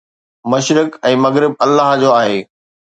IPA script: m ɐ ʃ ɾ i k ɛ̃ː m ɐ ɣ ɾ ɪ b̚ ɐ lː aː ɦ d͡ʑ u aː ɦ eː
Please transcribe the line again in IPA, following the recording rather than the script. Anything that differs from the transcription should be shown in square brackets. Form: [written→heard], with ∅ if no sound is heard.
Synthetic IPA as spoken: m ɐ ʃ ɾ [i→ɪ] k ɛ̃ː m ɐ ɣ ɾ ɪ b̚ ɐ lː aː ɦ d͡ʑ [u→o] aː ɦ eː